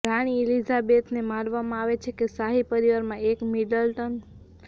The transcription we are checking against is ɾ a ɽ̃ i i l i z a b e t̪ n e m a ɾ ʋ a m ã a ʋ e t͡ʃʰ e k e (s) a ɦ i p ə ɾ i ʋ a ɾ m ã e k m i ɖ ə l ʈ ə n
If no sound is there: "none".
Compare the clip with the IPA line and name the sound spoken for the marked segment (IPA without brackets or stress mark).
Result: s